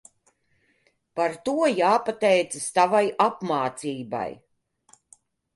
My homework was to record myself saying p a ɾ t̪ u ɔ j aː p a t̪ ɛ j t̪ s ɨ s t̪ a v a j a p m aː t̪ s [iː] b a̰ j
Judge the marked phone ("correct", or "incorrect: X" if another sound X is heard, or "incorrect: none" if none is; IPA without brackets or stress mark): correct